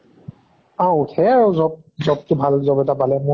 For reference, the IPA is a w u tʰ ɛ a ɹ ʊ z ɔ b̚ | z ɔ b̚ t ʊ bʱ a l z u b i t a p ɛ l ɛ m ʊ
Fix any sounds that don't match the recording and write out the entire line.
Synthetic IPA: a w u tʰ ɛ a ɹ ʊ z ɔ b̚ | z ɔ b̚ t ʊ bʱ a l z ɔ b ɛ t a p a l ɛ m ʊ